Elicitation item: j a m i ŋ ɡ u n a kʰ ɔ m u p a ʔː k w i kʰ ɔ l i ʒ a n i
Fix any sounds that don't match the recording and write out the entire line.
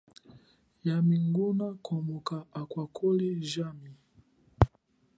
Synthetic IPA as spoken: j a m i ŋ ɡ u n a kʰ ɔ m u k a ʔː k w a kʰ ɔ l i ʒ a m i